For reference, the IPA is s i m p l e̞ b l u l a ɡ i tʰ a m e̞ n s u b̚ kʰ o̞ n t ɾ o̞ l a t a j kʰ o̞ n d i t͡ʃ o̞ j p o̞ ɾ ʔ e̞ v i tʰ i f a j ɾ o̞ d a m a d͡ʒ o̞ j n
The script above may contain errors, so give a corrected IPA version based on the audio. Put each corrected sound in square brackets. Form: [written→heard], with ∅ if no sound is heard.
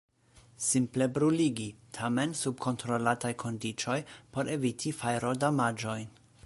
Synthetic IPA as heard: s i m p l e̞ b [l→ɾ] u l [a→i] ɡ i tʰ a m e̞ n s u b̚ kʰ o̞ n t ɾ o̞ l a t a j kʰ o̞ n d i t͡ʃ o̞ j p o̞ ɾ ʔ e̞ v i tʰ i f a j ɾ o̞ d a m a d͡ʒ o̞ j n